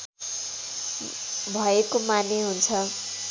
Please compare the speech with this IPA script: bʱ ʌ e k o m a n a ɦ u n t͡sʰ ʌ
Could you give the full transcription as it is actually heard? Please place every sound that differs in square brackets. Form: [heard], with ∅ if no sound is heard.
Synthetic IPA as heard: bʱ ʌ e k o m a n [e] ɦ u n t͡sʰ ʌ

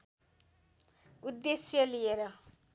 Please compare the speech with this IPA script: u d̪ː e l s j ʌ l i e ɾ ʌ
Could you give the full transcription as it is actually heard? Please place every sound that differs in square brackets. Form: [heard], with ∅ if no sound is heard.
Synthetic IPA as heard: u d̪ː e [∅] s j ʌ l i e ɾ ʌ

